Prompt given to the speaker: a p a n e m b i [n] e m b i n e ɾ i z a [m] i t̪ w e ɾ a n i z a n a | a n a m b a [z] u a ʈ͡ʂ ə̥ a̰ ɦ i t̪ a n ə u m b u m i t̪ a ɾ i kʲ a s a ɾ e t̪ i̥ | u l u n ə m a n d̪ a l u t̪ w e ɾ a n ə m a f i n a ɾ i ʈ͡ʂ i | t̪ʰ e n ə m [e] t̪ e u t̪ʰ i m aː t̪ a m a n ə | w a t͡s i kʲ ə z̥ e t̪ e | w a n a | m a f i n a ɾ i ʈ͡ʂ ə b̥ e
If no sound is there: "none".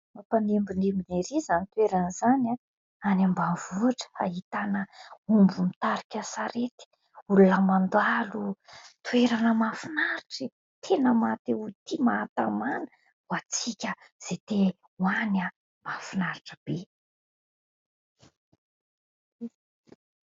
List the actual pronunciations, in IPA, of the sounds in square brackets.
n, n, v, a

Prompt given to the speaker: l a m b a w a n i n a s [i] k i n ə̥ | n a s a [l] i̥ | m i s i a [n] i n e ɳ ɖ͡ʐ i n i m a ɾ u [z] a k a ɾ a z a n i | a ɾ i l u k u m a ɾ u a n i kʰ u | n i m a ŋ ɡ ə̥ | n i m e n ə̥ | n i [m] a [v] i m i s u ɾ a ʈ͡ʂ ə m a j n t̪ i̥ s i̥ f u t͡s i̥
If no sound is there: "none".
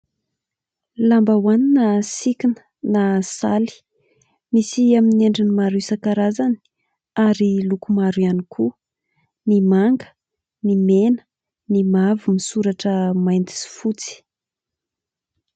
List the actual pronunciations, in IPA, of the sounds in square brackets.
i, l, m, s, m, v

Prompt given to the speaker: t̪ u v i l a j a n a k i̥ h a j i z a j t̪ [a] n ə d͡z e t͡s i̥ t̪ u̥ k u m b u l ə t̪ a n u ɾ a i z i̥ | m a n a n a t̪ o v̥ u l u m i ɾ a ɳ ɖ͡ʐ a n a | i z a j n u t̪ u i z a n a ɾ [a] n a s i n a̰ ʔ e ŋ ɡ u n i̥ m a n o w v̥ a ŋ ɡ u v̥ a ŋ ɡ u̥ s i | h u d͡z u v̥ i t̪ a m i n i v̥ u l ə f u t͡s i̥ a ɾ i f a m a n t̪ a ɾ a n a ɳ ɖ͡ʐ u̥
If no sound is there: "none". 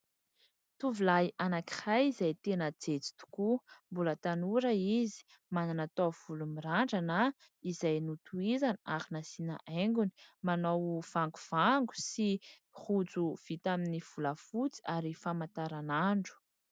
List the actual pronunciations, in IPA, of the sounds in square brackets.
e, i

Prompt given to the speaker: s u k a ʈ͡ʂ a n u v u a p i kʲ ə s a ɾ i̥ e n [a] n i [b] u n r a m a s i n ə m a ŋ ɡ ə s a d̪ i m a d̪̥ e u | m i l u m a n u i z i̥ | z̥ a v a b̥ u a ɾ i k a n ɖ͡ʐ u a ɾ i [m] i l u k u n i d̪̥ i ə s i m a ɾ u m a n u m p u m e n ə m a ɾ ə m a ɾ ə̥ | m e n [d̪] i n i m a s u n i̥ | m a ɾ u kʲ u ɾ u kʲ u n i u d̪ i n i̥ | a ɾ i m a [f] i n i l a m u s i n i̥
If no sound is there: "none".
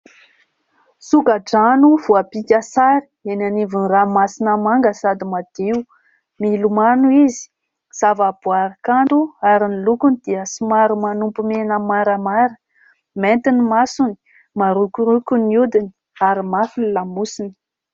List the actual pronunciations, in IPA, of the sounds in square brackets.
a, v, n, t̪, f

